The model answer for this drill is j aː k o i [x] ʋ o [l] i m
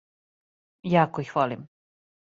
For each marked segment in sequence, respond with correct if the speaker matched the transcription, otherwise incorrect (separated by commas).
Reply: correct, correct